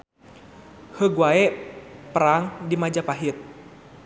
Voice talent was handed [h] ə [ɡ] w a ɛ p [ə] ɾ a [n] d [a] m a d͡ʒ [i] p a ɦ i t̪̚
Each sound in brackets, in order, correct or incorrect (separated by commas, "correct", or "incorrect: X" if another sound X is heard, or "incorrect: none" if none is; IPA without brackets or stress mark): correct, correct, correct, incorrect: ŋ, incorrect: i, incorrect: a